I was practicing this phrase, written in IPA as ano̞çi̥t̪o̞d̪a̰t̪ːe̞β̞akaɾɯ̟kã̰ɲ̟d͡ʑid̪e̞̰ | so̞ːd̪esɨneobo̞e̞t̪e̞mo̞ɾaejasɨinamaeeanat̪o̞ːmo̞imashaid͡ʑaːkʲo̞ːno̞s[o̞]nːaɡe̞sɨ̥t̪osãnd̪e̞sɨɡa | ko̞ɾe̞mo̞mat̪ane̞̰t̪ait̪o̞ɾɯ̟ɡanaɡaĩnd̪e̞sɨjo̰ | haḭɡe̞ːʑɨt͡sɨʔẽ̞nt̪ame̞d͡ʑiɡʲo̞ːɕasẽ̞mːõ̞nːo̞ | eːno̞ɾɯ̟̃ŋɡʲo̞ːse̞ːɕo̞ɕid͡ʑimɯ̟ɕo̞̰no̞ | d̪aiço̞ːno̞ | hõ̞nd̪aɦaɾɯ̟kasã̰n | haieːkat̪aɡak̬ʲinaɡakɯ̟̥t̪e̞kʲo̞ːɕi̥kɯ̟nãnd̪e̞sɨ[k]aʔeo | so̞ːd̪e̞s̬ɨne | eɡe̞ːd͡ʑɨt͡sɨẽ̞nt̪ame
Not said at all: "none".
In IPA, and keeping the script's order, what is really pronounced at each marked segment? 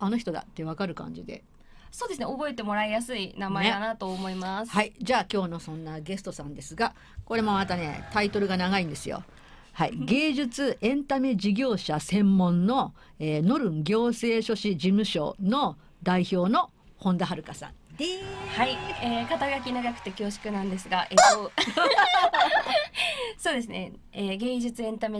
õ̞, ɡ

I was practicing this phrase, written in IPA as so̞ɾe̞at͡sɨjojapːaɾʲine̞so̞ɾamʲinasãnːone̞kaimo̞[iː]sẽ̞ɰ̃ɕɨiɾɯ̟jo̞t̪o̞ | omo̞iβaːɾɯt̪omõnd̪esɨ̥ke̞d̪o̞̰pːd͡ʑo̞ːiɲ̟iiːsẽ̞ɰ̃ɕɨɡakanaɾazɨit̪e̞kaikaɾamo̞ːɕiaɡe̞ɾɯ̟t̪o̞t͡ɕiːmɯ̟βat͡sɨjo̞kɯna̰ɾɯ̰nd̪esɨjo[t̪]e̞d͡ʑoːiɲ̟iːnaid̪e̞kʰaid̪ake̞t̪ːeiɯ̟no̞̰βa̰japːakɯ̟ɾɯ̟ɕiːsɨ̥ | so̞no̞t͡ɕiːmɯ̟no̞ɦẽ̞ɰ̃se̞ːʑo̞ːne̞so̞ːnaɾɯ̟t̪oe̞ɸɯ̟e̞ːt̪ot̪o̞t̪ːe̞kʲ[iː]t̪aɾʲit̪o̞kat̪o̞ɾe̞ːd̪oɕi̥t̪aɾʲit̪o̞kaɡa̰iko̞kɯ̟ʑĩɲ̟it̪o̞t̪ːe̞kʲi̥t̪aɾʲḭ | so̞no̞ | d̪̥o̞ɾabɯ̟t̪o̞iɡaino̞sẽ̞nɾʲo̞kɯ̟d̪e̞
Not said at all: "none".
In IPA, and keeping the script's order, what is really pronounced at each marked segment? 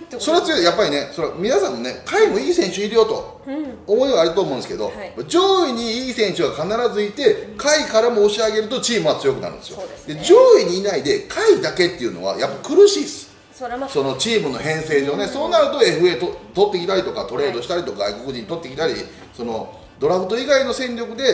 iː, d̪, i

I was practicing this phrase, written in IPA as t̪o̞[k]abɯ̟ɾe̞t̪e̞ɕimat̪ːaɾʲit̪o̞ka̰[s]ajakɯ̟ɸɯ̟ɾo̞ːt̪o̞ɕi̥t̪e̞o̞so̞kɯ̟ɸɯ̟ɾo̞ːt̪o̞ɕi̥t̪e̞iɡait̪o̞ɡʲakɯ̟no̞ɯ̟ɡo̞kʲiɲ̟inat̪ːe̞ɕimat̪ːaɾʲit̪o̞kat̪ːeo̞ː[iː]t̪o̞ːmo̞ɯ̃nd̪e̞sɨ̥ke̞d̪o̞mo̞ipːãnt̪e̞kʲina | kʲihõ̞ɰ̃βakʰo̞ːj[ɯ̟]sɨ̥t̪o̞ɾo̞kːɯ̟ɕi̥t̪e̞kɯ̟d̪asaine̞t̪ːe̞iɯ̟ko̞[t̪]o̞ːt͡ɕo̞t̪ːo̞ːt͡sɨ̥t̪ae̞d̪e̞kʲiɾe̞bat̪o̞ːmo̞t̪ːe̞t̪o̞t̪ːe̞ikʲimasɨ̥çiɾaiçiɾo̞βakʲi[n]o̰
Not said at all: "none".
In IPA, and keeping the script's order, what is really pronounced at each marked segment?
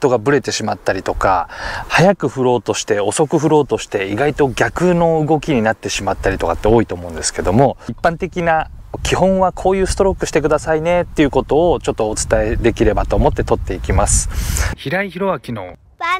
ɡ, h, i, ɯ̟ː, t̪, n

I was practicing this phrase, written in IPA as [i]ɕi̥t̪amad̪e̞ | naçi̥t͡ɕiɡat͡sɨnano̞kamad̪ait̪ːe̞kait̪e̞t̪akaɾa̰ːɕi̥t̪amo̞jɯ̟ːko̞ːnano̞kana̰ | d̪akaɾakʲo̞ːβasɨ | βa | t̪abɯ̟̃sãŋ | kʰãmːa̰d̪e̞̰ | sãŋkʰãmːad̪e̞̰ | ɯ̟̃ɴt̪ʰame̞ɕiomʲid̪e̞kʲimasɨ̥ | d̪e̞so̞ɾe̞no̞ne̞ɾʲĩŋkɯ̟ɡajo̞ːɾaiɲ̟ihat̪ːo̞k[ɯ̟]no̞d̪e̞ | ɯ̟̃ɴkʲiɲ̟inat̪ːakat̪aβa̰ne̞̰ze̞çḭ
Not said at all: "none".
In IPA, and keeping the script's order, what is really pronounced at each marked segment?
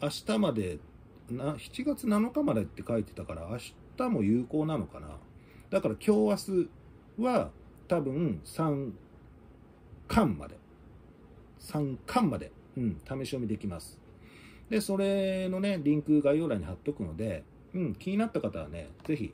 a, ɯ̟

